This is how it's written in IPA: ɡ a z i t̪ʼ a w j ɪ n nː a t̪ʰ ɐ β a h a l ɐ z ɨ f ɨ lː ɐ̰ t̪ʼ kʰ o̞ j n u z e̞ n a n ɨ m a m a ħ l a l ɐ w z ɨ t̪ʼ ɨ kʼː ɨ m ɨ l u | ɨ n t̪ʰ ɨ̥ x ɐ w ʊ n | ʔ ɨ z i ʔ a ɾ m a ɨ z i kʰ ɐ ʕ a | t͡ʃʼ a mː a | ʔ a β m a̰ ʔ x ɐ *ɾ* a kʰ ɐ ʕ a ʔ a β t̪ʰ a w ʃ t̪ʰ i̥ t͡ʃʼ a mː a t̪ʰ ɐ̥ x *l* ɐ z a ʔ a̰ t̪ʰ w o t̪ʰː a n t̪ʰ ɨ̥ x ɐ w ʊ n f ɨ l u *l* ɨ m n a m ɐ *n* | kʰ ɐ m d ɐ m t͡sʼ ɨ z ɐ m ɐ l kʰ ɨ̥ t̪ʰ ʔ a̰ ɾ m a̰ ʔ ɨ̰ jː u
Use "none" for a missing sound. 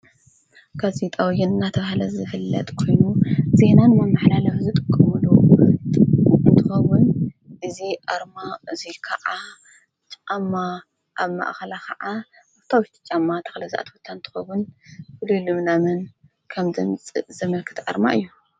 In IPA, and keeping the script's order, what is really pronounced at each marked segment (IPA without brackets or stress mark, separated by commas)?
l, l, l, n